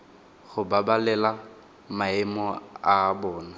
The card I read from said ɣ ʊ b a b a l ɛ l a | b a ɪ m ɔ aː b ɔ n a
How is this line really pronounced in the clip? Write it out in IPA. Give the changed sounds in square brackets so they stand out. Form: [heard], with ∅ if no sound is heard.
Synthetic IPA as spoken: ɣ ʊ b a b a l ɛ l a | [m] a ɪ m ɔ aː b [ɔː] n a